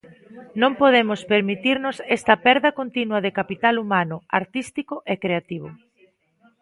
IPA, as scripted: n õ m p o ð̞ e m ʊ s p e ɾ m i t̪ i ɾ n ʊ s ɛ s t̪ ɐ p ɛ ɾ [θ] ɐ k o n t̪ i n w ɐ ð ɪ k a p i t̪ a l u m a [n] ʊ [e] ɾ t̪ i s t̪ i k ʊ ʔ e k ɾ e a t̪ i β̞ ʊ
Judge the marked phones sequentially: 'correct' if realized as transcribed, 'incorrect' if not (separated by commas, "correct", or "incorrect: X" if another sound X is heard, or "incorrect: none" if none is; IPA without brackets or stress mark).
incorrect: ð, correct, incorrect: a